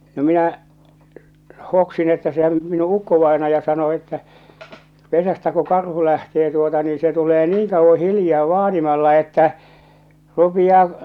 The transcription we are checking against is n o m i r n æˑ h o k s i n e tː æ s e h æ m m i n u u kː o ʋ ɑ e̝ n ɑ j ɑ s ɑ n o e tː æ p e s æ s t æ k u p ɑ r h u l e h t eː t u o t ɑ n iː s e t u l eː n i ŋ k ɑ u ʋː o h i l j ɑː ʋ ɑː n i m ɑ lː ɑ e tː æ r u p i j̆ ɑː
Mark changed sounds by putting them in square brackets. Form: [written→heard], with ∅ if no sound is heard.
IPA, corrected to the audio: n o m i [r→∅] n æˑ h o k s i n e tː æ s e h æ m m i n u u kː o ʋ ɑ e̝ n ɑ j ɑ s ɑ n o e tː æ p e s æ s t æ k u [p→k] ɑ r h u l [e→æ] h t eː t u o t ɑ n iː s e t u l eː n [i→iː] ŋ k ɑ u ʋː o h i l j ɑː ʋ ɑː n i m ɑ lː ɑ e tː æ r u p i j̆ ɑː